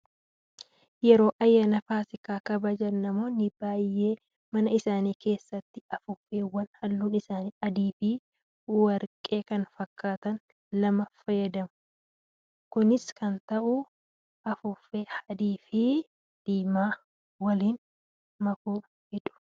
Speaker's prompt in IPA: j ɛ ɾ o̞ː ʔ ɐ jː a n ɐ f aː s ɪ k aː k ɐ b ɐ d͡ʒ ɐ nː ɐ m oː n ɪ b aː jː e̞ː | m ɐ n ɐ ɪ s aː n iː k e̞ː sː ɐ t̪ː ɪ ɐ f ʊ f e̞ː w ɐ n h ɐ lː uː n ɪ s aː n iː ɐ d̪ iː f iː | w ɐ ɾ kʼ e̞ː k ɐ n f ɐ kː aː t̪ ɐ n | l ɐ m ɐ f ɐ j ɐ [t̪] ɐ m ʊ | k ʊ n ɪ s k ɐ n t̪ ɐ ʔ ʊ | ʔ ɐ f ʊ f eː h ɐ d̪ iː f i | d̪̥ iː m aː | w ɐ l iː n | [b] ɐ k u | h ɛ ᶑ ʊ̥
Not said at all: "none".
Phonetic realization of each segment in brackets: d̪, m

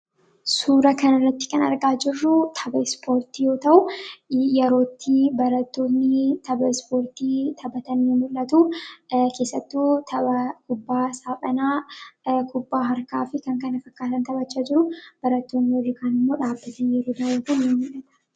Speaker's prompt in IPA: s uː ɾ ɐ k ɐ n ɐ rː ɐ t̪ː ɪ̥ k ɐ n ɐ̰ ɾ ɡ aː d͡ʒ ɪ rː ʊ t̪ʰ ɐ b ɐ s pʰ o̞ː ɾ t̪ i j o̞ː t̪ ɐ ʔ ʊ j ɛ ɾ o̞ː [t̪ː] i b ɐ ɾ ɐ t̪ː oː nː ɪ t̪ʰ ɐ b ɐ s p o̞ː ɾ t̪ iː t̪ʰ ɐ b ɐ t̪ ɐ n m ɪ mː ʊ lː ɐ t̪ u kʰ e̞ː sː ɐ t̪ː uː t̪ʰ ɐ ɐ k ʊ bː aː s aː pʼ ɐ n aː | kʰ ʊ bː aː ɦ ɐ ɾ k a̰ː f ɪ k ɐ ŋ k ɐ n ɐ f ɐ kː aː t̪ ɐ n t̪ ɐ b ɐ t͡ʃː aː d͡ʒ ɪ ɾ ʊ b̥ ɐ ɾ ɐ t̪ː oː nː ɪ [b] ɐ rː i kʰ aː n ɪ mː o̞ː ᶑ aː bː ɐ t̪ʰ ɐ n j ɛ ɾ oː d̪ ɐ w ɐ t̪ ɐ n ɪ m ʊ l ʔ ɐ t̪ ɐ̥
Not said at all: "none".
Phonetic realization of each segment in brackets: t̪ː, w

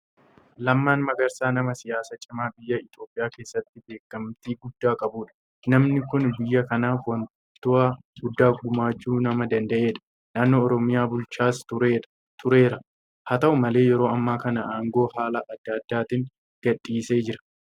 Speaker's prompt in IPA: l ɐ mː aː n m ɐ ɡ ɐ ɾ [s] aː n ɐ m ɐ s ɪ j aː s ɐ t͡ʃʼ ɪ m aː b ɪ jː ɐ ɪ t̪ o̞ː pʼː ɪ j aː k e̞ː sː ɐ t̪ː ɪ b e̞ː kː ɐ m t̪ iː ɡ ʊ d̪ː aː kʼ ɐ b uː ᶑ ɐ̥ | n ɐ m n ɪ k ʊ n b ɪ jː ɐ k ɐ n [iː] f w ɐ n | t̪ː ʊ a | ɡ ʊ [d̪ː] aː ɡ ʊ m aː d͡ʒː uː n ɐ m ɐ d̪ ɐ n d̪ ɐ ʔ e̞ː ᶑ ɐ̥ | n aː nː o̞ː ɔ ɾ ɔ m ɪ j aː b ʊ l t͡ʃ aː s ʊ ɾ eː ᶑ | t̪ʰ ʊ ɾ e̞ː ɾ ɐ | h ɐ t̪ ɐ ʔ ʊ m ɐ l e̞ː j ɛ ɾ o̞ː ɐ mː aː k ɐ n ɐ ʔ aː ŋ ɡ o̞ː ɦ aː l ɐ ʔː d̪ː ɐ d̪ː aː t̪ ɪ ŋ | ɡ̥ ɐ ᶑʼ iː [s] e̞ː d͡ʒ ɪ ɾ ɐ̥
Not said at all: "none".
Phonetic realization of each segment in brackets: s, aː, d̪ː, s

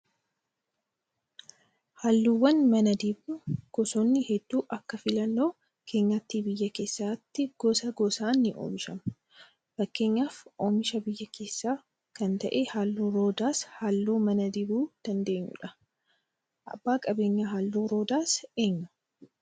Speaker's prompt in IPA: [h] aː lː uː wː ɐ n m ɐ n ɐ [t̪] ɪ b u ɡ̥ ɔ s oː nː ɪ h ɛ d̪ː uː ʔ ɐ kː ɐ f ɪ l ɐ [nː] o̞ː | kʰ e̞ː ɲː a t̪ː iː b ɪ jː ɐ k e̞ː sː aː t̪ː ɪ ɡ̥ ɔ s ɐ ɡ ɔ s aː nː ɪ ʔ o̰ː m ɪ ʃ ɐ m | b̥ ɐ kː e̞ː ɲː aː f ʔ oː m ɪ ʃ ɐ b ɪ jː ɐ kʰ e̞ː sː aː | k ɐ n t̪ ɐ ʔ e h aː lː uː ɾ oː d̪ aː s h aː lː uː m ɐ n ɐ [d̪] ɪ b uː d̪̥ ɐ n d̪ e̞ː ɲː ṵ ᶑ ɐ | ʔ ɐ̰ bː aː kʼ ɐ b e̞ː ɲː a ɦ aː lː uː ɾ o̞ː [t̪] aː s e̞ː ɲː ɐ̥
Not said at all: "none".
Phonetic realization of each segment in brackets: h, d̪, nː, d̪, d̪

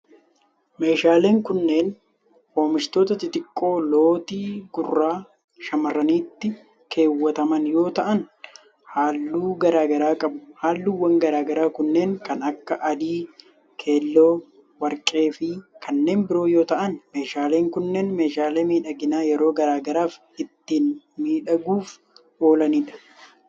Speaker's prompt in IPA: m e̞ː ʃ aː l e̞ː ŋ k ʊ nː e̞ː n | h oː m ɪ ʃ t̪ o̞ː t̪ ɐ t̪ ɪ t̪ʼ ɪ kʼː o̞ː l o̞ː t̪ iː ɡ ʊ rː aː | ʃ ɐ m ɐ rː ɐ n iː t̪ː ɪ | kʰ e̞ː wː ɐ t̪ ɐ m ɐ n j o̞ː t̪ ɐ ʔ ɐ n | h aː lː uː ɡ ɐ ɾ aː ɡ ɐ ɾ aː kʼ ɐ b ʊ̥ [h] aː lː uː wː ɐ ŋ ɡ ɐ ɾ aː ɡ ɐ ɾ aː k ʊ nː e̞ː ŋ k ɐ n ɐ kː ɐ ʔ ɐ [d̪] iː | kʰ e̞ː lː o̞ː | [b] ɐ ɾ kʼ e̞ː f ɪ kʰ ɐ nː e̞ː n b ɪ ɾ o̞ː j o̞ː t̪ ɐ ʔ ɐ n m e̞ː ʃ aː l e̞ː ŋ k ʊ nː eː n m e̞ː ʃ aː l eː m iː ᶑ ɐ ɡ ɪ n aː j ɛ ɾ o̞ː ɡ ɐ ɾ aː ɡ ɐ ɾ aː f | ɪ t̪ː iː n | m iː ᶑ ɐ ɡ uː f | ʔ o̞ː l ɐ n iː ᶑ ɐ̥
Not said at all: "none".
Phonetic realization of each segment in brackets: h, d̪, w

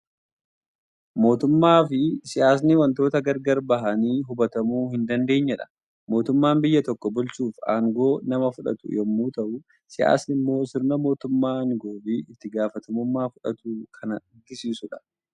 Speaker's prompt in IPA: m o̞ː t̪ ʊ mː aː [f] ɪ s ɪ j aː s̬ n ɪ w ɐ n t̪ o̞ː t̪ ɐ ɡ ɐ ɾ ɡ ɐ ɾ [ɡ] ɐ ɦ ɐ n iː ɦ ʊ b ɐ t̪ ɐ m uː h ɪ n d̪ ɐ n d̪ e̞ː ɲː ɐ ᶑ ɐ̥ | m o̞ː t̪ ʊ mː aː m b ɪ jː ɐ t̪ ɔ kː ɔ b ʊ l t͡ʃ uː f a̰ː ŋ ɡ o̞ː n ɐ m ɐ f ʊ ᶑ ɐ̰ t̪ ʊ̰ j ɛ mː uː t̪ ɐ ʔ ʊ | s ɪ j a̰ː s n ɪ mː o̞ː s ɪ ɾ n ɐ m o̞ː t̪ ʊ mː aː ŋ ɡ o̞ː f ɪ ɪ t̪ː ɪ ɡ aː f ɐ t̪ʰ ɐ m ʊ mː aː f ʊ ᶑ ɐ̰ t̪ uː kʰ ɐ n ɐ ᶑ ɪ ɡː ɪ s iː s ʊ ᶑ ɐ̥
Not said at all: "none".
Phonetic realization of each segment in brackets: f, b

